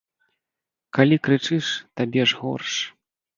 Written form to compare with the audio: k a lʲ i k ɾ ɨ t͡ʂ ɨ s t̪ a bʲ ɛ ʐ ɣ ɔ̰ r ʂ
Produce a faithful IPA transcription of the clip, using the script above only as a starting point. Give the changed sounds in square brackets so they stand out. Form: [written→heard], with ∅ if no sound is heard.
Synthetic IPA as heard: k a lʲ i k ɾ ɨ t͡ʂ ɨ [s→ʂ] t̪ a bʲ ɛ ʐ ɣ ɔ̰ r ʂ